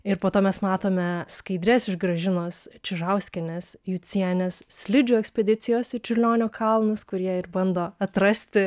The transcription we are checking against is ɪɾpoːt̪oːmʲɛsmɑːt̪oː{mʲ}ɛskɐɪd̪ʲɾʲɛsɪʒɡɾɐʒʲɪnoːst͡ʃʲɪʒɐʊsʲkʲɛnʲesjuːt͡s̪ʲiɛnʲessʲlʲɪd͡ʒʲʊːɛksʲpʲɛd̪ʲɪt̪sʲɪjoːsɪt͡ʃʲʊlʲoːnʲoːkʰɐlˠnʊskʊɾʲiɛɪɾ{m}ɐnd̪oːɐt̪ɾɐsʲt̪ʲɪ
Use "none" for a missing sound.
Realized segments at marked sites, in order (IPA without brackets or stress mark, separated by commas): mʲ, b